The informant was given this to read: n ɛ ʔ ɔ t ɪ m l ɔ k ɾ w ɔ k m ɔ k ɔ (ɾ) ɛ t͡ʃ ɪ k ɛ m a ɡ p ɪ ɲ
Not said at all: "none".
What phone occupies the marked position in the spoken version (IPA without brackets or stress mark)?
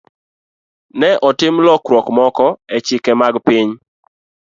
none